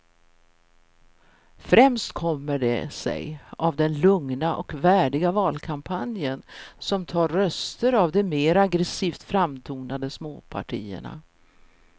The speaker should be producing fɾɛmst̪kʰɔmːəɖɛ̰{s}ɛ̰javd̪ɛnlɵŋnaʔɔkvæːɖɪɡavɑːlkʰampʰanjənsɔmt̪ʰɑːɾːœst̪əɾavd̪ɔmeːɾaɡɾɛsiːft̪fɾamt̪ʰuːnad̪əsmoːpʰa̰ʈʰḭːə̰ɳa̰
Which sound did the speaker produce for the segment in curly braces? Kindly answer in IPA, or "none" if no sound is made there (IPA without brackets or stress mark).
s